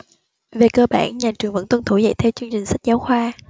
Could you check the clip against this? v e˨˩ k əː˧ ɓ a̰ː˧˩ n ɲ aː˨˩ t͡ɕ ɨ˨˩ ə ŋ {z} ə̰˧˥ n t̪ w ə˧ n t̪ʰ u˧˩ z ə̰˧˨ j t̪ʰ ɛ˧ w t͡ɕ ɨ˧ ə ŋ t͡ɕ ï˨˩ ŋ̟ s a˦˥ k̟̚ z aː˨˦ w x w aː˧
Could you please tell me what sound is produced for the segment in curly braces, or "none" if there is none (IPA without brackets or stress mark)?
v